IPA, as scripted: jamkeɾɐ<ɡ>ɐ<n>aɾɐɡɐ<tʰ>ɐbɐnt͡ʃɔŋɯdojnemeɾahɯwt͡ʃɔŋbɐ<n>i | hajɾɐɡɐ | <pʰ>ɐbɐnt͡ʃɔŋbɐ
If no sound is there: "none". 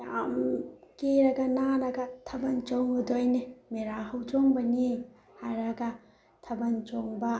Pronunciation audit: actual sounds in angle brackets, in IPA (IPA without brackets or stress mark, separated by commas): ɡ, n, tʰ, n, tʰ